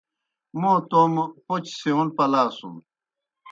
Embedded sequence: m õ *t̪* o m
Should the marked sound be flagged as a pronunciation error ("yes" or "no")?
no